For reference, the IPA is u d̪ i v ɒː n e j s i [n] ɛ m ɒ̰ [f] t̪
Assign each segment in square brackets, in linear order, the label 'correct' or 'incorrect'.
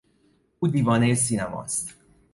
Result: correct, incorrect

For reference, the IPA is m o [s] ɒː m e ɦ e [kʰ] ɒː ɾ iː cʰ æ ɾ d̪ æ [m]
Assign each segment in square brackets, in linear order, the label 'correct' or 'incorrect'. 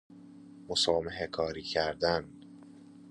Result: correct, correct, incorrect

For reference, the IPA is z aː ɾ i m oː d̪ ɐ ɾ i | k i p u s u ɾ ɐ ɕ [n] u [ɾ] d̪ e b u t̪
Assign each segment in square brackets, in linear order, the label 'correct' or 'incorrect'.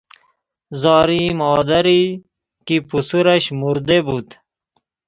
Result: incorrect, correct

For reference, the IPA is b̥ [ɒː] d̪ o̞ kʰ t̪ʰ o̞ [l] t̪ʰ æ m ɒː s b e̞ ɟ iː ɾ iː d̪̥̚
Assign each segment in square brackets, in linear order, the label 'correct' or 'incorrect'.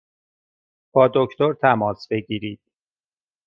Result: correct, incorrect

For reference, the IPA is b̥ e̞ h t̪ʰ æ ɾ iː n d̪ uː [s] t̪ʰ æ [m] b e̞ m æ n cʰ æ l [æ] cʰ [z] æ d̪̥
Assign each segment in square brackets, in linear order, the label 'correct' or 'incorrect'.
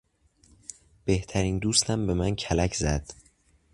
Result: correct, correct, correct, correct

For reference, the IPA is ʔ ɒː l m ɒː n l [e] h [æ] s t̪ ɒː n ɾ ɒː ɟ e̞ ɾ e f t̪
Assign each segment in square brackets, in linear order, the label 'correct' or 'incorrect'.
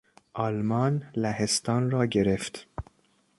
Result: incorrect, incorrect

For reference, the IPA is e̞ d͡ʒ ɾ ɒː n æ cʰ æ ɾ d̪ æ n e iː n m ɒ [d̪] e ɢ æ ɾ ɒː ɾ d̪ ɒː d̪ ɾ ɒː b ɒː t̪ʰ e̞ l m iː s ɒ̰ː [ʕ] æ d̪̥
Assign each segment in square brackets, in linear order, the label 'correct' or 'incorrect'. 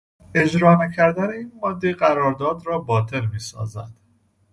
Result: incorrect, incorrect

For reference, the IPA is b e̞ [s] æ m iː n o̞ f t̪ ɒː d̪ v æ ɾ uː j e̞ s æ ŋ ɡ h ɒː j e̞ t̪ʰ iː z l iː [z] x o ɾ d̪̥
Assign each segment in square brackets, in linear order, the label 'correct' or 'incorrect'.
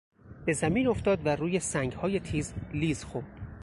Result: incorrect, correct

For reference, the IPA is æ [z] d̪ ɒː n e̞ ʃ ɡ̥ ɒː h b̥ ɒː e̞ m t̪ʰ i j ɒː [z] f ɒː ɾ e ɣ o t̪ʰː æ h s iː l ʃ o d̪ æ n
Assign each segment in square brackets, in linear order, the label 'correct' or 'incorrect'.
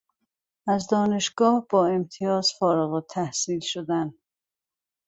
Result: correct, correct

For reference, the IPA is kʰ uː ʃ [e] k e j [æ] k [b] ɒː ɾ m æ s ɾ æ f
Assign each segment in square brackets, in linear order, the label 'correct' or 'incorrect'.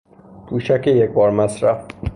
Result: incorrect, incorrect, correct

